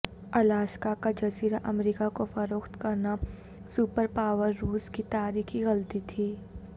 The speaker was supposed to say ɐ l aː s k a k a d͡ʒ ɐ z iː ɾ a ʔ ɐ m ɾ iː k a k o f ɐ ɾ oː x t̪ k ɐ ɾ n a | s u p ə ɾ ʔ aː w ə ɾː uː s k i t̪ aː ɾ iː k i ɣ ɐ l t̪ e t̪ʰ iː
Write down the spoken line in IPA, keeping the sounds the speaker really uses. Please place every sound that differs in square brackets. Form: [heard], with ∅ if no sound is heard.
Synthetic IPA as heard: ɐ l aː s k a k a d͡ʒ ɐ z iː ɾ a ʔ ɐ m ɾ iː k a k o f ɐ ɾ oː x t̪ k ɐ ɾ n a | s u p ə ɾ [p] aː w ə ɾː uː s k i t̪ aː ɾ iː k i ɣ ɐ l t̪ [i] t̪ʰ iː

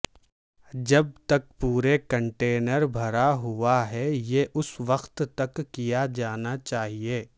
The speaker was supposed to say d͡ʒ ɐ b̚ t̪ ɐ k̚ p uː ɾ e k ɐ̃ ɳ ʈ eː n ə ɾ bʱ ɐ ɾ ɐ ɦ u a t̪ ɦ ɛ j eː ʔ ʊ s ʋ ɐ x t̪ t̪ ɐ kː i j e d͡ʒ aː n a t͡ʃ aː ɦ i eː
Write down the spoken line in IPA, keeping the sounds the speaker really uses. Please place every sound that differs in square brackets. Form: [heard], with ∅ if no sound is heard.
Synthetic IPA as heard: d͡ʒ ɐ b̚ t̪ ɐ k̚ p uː ɾ e k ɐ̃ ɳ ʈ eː n ə ɾ bʱ ɐ ɾ [a] ɦ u a [∅] ɦ ɛ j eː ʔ ʊ s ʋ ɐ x t̪ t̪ ɐ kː i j [a] d͡ʒ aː n a t͡ʃ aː ɦ i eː

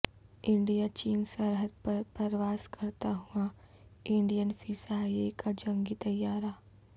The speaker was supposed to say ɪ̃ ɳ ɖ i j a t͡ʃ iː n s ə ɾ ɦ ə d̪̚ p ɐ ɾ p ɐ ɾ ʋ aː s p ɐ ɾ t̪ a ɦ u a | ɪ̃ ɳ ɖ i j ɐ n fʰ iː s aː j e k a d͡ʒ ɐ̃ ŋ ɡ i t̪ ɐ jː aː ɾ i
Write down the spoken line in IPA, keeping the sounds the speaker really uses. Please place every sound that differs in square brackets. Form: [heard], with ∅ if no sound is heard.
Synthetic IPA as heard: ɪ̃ ɳ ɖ i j a t͡ʃ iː n s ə ɾ ɦ ə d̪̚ p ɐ ɾ p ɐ ɾ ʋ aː s [k] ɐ ɾ t̪ a ɦ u a | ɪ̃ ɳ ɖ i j [ə] n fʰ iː s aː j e k a d͡ʒ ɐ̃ ŋ ɡ i t̪ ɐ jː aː ɾ [a]

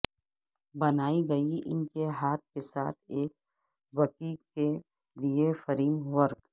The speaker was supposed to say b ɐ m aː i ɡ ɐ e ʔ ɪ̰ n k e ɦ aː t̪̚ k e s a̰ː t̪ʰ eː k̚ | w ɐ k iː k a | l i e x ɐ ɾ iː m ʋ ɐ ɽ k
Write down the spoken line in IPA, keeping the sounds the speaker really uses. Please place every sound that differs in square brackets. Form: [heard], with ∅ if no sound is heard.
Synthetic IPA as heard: b ɐ [n] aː i ɡ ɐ [i] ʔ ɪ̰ n k e ɦ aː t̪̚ k e s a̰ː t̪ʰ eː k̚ | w ɐ k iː k [e] | l i e [f] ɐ ɾ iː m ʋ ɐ [ɾ] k

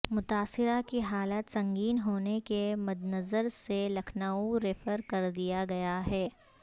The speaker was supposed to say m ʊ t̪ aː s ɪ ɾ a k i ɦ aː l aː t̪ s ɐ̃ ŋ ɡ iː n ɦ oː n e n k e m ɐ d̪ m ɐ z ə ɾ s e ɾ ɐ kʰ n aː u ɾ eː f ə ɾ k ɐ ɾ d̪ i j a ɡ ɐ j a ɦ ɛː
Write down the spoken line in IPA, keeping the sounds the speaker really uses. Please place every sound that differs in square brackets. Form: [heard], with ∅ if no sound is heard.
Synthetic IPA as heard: m ʊ t̪ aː s ɪ ɾ a k i ɦ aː l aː t̪ s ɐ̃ ŋ ɡ iː n ɦ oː n e [∅] k e m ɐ d̪ [n] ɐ z ə ɾ s e [l] ɐ kʰ n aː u ɾ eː f ə ɾ k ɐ ɾ d̪ i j a ɡ ɐ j a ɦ ɛː

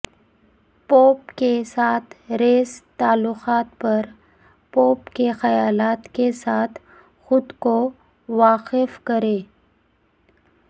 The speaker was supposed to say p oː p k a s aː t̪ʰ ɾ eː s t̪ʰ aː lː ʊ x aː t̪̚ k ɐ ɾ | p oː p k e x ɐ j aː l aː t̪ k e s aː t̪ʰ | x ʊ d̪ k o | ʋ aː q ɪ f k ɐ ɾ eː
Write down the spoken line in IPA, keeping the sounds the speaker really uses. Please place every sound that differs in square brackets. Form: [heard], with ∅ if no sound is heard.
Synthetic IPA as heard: p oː p k [e] s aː t̪ʰ ɾ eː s [t̪] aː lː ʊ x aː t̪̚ [p] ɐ ɾ | p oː p k e x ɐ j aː l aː t̪ k e s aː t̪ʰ | x ʊ d̪ k o | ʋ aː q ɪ f k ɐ ɾ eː

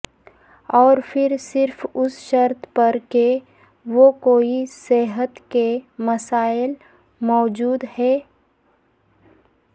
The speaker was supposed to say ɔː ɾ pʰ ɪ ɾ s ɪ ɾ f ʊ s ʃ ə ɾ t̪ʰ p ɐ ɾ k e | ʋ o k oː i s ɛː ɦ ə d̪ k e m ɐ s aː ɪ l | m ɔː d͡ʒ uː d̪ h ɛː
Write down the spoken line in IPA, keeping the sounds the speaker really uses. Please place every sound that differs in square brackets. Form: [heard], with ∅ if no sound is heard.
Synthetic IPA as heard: ɔː ɾ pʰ ɪ ɾ s ɪ ɾ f ʊ s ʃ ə ɾ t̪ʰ p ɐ ɾ k e | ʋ o k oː i s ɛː ɦ ə [t̪] k e m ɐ s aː ɪ l | m ɔː d͡ʒ uː d̪ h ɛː

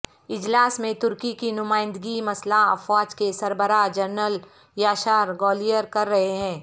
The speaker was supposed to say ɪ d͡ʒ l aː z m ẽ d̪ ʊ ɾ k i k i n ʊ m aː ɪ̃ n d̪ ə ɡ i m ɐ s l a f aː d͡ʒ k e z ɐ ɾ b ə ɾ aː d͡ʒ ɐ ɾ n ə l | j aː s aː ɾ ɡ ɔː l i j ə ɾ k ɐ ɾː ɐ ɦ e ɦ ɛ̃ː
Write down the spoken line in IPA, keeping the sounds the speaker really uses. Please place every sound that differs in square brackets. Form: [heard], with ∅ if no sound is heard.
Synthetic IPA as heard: ɪ d͡ʒ l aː [s] m ẽ [t̪] ʊ ɾ k i k i n ʊ m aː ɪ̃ n d̪ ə ɡ i m ɐ s l a f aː d͡ʒ k e [s] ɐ ɾ b ə ɾ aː d͡ʒ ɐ ɾ n ə l | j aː [ʃ] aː ɾ ɡ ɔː l i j ə ɾ k ɐ ɾː ɐ ɦ e ɦ ɛ̃ː

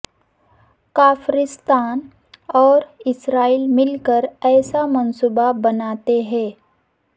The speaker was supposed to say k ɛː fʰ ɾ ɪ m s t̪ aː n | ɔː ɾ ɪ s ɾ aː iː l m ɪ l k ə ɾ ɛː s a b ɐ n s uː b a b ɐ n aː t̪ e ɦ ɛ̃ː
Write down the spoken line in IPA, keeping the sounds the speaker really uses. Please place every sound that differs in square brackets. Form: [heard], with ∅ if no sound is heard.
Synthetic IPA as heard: k [aː] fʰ ɾ ɪ [∅] s t̪ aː n | ɔː ɾ ɪ s ɾ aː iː l m ɪ l k ə ɾ ɛː s a [m] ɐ n s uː b a b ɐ n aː t̪ e ɦ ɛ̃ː

